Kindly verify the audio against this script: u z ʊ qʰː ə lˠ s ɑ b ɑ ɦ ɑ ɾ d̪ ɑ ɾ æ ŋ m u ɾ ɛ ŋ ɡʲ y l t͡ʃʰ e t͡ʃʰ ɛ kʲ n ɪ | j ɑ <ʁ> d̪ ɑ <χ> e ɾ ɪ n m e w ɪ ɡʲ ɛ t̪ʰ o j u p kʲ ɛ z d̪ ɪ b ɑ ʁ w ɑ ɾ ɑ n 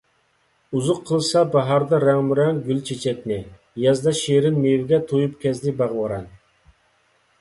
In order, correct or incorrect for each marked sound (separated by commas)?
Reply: incorrect, incorrect